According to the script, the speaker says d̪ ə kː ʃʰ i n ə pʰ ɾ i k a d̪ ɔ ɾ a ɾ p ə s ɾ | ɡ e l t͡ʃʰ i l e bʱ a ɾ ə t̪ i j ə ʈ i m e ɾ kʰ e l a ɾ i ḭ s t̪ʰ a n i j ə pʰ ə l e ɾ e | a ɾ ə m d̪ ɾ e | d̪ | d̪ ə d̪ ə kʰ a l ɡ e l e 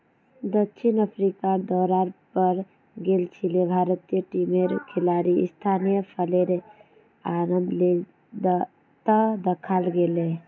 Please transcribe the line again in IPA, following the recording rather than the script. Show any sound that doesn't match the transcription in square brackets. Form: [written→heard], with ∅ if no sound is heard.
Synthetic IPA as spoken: d̪ ə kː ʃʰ i n ə pʰ ɾ i k a d̪ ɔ ɾ a ɾ p ə [s→∅] ɾ | ɡ e l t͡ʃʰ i l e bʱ a ɾ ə t̪ i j ə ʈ i m e ɾ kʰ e l a ɾ i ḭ s t̪ʰ a n i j ə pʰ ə l e ɾ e | a ɾ ə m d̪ [ɾ→l] e | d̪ | [d̪→t̪] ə d̪ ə kʰ a l ɡ e l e